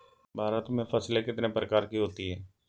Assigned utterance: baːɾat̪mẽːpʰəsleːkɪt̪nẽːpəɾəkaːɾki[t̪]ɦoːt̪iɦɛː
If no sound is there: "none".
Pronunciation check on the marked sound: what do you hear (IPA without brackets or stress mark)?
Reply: none